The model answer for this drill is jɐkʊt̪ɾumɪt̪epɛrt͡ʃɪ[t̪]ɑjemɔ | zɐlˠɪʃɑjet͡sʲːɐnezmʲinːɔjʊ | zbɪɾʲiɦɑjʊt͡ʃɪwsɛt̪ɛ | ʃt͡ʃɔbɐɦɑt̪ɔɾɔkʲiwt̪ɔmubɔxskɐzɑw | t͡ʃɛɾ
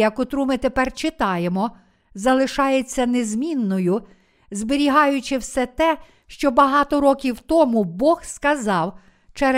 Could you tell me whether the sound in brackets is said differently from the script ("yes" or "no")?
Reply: no